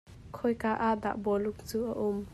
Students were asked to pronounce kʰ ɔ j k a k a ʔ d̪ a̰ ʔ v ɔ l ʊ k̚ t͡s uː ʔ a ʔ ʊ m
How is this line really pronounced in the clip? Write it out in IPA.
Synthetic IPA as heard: kʰ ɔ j k a ʔ a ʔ d̪ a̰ ʔ b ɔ l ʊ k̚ t͡s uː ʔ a ʔ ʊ m